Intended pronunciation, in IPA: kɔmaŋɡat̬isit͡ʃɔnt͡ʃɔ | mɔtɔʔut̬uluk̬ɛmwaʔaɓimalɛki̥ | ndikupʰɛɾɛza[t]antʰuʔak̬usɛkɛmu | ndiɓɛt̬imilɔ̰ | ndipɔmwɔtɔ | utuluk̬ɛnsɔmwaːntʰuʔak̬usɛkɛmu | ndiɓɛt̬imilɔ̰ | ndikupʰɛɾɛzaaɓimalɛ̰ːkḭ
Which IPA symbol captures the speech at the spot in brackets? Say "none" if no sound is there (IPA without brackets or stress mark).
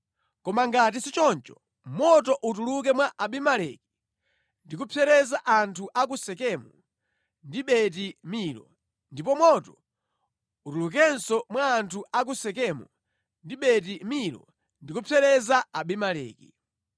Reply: ʔ